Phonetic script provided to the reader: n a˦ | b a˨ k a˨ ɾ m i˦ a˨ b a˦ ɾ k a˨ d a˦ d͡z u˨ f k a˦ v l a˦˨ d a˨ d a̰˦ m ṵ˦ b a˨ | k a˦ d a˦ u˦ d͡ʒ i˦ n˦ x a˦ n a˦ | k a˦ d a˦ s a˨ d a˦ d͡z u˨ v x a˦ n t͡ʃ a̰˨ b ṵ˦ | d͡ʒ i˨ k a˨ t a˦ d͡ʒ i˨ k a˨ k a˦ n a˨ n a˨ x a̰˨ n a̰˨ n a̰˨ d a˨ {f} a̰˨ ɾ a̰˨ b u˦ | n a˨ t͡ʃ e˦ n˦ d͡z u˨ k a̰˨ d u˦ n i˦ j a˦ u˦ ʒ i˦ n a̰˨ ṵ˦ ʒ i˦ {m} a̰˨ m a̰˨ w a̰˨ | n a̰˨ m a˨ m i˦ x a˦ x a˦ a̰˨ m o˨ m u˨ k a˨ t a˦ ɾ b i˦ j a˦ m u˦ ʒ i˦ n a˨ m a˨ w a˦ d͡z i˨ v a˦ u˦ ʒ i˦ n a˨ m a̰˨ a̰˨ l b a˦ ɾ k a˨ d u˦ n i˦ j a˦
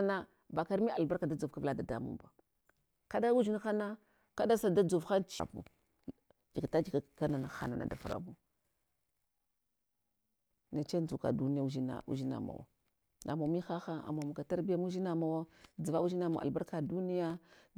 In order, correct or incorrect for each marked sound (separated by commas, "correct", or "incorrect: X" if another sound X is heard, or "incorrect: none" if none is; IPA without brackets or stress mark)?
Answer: correct, incorrect: n